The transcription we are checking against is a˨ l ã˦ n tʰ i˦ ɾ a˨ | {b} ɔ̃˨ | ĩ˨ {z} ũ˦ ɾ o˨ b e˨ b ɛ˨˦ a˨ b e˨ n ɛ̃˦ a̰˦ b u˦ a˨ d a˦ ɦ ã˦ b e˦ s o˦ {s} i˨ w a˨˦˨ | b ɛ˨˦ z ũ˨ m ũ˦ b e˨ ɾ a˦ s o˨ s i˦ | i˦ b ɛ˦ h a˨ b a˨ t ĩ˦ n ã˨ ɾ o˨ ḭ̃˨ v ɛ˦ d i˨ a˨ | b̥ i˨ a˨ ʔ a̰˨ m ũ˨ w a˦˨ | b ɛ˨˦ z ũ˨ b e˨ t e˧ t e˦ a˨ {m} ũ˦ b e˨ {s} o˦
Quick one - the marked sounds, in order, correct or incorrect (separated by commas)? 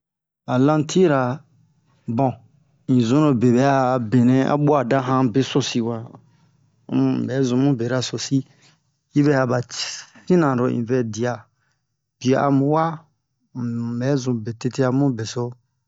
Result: correct, correct, correct, correct, correct